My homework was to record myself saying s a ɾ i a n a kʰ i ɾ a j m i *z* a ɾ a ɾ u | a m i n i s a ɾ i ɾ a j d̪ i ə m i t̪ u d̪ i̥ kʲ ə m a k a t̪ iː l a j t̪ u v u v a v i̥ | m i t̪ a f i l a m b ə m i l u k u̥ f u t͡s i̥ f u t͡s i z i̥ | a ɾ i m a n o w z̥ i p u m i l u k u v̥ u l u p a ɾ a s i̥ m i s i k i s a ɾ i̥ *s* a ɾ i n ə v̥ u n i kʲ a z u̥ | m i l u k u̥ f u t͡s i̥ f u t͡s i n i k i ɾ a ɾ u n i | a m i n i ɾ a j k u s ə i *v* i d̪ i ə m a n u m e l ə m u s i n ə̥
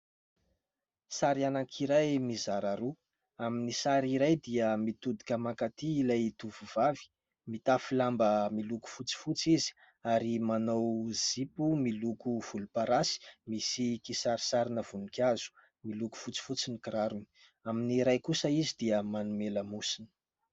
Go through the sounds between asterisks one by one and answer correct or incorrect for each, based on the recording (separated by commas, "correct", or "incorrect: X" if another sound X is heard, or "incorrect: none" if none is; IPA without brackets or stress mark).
correct, correct, incorrect: z